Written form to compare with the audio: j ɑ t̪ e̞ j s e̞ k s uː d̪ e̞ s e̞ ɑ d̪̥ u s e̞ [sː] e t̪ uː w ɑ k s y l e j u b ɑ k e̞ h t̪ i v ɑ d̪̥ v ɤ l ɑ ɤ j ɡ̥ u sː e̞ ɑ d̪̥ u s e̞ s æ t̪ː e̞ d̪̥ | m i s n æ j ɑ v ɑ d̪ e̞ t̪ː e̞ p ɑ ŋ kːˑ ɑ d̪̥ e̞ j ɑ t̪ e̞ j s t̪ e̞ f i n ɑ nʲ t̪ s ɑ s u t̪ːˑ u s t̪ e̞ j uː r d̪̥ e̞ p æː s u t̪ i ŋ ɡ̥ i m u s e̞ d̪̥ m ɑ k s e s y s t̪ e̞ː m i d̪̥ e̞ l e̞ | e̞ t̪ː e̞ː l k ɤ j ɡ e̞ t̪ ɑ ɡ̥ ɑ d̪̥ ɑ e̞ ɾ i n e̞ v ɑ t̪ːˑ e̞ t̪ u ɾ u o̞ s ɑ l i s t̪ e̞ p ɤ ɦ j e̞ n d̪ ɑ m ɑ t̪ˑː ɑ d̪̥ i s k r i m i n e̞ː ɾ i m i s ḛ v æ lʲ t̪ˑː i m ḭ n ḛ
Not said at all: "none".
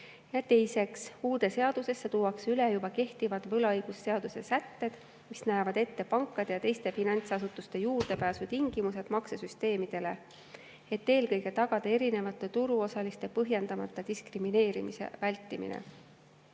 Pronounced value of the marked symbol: sː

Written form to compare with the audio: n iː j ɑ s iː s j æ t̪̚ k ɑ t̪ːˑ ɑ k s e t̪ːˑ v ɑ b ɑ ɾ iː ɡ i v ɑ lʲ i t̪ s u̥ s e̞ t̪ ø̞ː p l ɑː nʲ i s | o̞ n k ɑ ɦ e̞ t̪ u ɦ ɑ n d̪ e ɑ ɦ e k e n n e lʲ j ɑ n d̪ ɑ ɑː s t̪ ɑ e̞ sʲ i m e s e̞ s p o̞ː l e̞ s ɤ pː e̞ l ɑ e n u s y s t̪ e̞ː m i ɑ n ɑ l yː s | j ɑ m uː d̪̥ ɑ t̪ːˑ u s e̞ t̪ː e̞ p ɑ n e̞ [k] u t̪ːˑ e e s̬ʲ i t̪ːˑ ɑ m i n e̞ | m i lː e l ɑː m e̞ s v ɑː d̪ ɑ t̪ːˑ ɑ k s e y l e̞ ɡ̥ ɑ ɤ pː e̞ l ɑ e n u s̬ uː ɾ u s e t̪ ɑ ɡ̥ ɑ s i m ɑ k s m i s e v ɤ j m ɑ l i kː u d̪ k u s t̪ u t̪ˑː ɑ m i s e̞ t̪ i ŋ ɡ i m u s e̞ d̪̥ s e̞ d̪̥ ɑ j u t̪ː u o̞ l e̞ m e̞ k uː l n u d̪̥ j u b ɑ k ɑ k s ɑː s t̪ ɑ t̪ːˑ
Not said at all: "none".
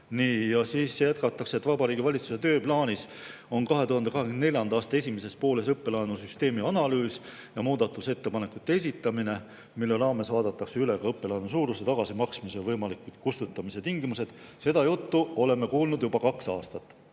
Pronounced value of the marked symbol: k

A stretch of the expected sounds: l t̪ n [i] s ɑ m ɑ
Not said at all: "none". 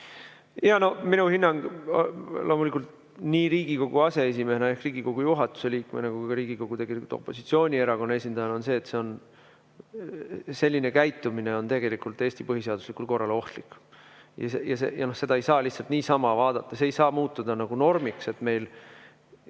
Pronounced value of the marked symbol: iː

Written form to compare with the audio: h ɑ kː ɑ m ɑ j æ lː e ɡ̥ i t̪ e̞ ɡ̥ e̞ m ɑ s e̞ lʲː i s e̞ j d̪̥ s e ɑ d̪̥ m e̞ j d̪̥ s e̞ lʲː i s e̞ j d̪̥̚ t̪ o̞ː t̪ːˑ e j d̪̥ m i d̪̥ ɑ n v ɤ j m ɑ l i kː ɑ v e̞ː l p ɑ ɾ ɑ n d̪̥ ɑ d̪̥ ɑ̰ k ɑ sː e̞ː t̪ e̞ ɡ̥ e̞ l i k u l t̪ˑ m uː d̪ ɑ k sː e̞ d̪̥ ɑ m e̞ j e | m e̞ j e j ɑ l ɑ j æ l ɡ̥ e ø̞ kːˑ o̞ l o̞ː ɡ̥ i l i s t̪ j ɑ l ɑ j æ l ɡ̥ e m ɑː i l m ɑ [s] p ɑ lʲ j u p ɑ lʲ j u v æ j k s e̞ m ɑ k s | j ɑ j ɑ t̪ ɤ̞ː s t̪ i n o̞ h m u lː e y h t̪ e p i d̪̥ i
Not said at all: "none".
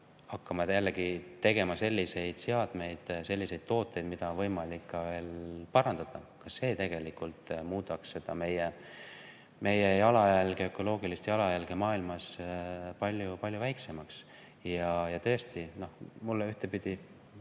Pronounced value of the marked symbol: s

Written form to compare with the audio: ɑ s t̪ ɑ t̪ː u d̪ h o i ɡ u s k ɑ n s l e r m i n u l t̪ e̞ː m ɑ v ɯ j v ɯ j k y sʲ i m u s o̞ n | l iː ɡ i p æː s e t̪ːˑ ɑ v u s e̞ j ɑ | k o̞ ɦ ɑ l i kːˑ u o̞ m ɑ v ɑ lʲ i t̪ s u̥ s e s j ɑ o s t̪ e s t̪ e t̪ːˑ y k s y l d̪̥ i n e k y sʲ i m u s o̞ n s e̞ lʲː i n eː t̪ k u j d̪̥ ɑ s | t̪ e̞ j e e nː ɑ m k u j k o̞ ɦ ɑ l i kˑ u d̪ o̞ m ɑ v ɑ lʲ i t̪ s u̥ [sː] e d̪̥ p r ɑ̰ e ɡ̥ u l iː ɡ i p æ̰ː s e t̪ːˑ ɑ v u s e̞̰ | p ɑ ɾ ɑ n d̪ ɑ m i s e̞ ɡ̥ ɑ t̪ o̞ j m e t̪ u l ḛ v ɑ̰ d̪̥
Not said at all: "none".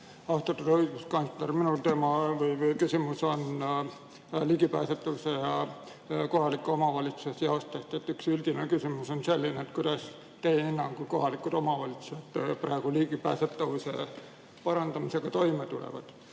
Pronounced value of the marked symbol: s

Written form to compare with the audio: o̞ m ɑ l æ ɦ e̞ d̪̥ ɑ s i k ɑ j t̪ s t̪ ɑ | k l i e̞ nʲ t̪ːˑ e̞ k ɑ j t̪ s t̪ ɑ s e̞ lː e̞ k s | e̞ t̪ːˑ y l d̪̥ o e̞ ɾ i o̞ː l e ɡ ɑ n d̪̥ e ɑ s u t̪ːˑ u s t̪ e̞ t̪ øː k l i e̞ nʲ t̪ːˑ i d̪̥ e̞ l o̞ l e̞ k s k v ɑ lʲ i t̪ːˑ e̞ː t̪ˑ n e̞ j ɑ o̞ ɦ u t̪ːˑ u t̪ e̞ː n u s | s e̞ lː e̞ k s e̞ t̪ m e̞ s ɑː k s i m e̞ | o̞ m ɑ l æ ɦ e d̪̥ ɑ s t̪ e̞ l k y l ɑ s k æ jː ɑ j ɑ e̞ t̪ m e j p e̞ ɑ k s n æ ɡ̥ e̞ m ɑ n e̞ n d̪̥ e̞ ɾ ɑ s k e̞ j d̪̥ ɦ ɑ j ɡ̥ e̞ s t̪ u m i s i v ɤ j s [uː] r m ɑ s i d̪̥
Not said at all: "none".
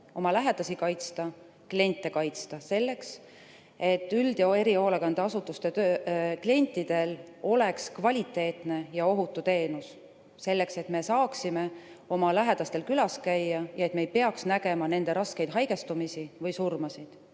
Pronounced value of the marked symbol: u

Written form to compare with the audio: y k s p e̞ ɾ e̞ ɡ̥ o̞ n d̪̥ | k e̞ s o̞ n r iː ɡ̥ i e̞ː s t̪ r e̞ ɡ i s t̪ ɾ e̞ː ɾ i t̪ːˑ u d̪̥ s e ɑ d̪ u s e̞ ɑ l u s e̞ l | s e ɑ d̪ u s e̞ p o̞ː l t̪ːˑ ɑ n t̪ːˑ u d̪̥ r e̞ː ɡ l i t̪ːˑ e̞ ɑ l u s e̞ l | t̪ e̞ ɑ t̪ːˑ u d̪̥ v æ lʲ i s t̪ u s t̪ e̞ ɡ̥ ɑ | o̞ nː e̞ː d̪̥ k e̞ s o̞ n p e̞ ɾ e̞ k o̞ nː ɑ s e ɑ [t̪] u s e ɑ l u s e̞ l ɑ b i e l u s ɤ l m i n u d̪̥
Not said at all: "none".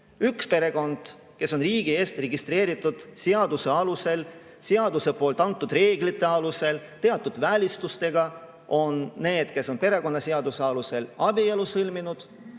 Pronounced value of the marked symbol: d̪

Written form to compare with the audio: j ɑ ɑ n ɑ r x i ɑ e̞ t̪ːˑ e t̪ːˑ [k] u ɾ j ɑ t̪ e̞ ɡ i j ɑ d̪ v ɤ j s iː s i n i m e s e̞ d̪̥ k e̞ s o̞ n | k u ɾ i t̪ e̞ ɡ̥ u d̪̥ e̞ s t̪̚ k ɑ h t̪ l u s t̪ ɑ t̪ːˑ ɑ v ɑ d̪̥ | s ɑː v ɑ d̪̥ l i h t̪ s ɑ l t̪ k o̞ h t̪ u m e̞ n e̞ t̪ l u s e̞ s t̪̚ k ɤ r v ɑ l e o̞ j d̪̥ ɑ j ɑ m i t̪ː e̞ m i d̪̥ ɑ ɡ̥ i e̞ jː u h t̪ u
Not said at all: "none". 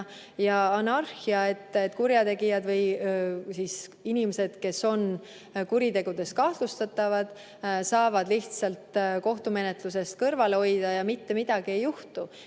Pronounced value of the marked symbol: k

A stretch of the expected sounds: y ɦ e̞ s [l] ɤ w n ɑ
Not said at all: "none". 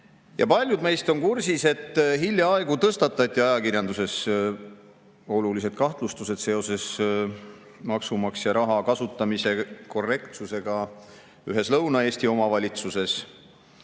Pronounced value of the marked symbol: l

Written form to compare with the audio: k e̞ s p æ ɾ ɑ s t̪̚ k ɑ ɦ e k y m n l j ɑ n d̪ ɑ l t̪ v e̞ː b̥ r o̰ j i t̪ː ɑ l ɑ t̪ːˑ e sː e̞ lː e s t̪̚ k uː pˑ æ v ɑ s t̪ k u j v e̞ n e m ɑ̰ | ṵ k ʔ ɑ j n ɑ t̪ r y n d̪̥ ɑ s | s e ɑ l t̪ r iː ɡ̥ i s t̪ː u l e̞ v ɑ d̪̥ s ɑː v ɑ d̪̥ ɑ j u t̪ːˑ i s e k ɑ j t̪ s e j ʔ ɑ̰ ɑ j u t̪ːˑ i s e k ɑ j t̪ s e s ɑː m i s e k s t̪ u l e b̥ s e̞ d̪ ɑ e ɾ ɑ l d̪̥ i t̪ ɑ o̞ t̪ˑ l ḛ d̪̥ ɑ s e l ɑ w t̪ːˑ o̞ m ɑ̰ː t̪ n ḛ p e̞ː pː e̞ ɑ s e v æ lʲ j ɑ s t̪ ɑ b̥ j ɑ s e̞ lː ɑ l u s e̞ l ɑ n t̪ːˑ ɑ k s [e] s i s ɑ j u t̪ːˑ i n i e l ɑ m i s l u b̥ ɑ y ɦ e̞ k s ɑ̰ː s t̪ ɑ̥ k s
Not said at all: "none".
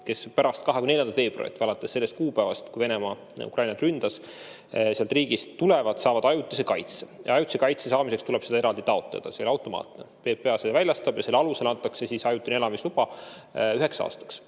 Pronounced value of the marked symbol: e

